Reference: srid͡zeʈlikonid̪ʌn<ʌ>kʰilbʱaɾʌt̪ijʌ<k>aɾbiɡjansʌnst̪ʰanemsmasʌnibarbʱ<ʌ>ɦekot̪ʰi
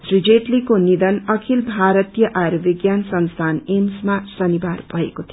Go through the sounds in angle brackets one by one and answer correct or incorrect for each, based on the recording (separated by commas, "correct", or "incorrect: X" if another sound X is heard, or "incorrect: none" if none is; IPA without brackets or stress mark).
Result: correct, incorrect: ʔ, correct